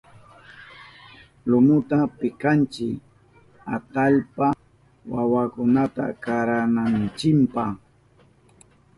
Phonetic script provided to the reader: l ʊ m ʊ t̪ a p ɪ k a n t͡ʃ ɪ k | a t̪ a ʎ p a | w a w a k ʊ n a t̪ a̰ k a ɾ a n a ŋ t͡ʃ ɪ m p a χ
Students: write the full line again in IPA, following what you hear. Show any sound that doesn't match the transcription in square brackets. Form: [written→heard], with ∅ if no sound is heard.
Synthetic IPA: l ʊ m ʊ t̪ a p ɪ k a n t͡ʃ ɪ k | a t̪ a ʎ p a | w a w a k ʊ n a t̪ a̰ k a ɾ a n a [ŋ→n] t͡ʃ ɪ m p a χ